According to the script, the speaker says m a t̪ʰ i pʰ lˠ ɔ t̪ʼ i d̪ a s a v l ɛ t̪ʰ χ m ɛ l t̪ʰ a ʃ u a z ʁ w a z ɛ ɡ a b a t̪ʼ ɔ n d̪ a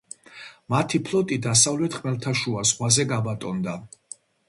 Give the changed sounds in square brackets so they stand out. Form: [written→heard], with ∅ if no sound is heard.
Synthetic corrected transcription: m a t̪ʰ i pʰ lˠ ɔ t̪ʼ i d̪ a s a v l ɛ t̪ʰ χ m ɛ l t̪ʰ a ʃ u a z ʁ w a z ɛ ɡ a b a t̪ʼ ɔ n d̪ a

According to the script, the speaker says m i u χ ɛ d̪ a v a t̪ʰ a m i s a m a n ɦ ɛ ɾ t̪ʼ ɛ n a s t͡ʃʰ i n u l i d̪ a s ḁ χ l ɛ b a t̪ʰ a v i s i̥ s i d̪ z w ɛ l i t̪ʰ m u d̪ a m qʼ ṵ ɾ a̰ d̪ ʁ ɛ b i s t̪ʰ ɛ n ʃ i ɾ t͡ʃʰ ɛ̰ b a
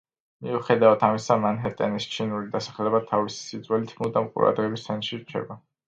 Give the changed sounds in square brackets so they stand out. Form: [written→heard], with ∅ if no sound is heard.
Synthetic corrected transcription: m i u χ ɛ d̪ a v a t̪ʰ a m i s a m a n ɦ ɛ ɾ t̪ʼ ɛ n [a→i] s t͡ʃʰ i n u l i d̪ a s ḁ χ l ɛ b a t̪ʰ a v i s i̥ s i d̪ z w ɛ l i t̪ʰ m u d̪ a m qʼ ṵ ɾ a̰ d̪ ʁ ɛ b i s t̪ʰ ɛ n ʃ i ɾ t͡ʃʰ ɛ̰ b a

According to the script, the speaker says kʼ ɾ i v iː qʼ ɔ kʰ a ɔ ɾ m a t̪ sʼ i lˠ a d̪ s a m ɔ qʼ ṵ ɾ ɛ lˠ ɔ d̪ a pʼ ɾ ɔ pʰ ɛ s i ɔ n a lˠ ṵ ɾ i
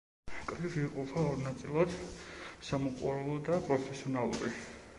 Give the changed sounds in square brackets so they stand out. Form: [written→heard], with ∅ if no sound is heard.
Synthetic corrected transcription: kʼ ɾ i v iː qʼ ɔ [kʰ→pʰ] a ɔ ɾ [m→n] a t̪ sʼ i lˠ a d̪ s a m ɔ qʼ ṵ ɾ ɛ lˠ ɔ d̪ a pʼ ɾ ɔ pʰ ɛ s i ɔ n a lˠ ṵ ɾ i

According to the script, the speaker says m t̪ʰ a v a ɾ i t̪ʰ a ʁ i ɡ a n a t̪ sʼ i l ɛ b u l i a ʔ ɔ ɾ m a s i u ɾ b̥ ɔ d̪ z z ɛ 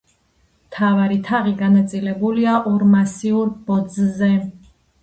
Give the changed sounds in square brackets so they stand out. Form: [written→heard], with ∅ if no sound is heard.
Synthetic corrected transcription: m t̪ʰ a v a ɾ i t̪ʰ a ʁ i ɡ a n a t̪ sʼ i l ɛ b u l i a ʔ ɔ ɾ m a s i u ɾ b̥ ɔ d̪ z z ɛ

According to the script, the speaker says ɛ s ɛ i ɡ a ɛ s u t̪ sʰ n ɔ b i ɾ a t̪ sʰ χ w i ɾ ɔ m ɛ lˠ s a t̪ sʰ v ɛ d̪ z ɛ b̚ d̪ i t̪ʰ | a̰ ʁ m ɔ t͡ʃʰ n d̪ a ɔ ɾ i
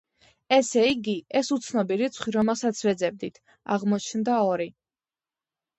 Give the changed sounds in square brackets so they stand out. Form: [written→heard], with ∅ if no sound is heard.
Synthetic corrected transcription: ɛ s ɛ i ɡ [a→i] ɛ s u t̪ sʰ n ɔ b i ɾ [a→i] t̪ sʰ χ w i ɾ ɔ m ɛ lˠ s a t̪ sʰ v ɛ d̪ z ɛ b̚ d̪ i t̪ʰ | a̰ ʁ m ɔ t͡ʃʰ n d̪ a ɔ ɾ i

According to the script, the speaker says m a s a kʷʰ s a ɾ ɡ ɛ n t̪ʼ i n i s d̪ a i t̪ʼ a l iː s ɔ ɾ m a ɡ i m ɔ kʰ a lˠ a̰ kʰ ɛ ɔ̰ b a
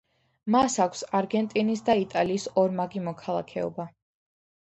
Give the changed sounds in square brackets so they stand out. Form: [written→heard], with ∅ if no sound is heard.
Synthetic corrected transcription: m a s a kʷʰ s a ɾ ɡ ɛ n t̪ʼ i n i s d̪ a i t̪ʼ a l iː s ɔ ɾ m a ɡ i m ɔ kʰ a lˠ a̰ kʰ ɛ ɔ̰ b a

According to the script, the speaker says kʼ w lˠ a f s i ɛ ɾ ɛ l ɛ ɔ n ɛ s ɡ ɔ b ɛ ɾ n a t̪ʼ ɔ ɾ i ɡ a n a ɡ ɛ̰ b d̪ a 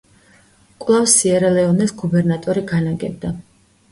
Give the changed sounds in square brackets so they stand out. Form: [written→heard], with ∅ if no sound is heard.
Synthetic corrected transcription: kʼ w lˠ a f s i ɛ ɾ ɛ l ɛ ɔ n ɛ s ɡ [ɔ→u] b ɛ ɾ n a t̪ʼ ɔ ɾ i ɡ a n a ɡ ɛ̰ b d̪ a

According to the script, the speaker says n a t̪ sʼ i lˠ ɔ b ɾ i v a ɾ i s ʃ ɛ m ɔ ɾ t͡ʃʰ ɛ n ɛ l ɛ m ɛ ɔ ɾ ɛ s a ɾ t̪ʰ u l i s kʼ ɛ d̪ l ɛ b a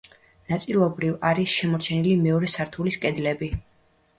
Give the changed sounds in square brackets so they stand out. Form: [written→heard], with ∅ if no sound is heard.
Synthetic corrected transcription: n a t̪ sʼ i lˠ ɔ b ɾ i v a ɾ i s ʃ ɛ m ɔ ɾ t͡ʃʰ ɛ n [ɛ→i] l [ɛ→i] m ɛ ɔ ɾ ɛ s a ɾ t̪ʰ u l i s kʼ ɛ d̪ l ɛ b [a→i]

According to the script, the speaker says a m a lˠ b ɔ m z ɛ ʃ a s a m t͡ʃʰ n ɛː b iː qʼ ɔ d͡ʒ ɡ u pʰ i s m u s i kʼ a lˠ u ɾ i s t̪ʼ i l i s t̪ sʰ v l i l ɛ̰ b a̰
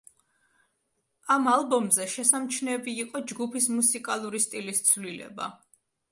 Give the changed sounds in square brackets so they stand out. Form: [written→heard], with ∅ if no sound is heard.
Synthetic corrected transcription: a m a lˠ b ɔ m z ɛ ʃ [a→ɛ] s a m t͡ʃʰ n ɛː b iː qʼ ɔ d͡ʒ ɡ u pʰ i s m u s i kʼ a lˠ u ɾ i s t̪ʼ i l i s t̪ sʰ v l i l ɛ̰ b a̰

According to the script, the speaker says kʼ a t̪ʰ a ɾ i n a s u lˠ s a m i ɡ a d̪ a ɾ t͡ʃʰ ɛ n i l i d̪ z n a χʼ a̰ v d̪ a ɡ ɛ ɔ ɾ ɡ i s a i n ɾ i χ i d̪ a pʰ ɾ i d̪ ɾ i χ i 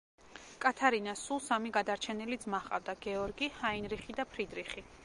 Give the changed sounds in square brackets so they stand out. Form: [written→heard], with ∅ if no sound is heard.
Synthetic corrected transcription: kʼ a t̪ʰ a ɾ i n a s u lˠ s a m i ɡ a d̪ a ɾ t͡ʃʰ ɛ n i l i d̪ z [n→m] a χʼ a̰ v d̪ a ɡ ɛ ɔ ɾ ɡ i [s→h] a i n ɾ i χ i d̪ a pʰ ɾ i d̪ ɾ i χ i

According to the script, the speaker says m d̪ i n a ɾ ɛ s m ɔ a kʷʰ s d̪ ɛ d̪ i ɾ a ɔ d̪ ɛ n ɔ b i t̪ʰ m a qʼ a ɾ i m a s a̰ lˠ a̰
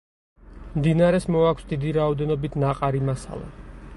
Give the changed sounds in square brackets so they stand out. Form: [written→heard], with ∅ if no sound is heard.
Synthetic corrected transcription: m d̪ i n a ɾ ɛ s m ɔ a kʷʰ s d̪ [ɛ→i] d̪ i ɾ a ɔ d̪ ɛ n ɔ b i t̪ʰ [m→n] a qʼ a ɾ i m a s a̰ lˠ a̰

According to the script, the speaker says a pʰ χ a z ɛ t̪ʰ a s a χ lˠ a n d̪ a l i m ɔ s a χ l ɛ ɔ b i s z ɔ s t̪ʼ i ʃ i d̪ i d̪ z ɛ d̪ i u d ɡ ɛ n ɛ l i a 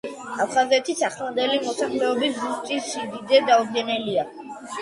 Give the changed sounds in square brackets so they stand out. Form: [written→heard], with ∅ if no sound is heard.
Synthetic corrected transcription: a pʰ χ a z ɛ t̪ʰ [a→i] s a χ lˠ a n d̪ [a→ɛ] l i m ɔ s a χ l ɛ ɔ b i s z [ɔ→u] s t̪ʼ i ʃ i d̪ i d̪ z ɛ d̪ [i→a] u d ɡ ɛ n ɛ l i a

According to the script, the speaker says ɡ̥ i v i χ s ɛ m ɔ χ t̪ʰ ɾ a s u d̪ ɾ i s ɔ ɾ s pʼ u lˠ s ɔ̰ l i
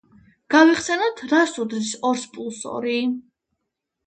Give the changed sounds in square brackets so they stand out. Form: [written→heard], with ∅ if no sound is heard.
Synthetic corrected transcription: ɡ̥ [i→a] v i χ s ɛ [m→n] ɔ [χ→∅] t̪ʰ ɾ a s u d̪ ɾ i s ɔ ɾ s pʼ u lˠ s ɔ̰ [l→ɾ] i

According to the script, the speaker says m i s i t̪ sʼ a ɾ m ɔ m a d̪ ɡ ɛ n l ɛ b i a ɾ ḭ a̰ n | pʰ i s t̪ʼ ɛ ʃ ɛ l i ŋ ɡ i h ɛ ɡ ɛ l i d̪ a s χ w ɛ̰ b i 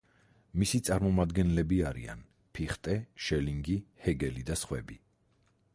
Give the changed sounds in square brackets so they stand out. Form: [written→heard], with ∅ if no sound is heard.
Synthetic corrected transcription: m i s i t̪ sʼ a ɾ m ɔ m a d̪ ɡ ɛ n l ɛ b i a ɾ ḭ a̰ n | pʰ i [s→χ] t̪ʼ ɛ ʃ ɛ l i ŋ ɡ i h ɛ ɡ ɛ l i d̪ a s χ w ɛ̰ b i

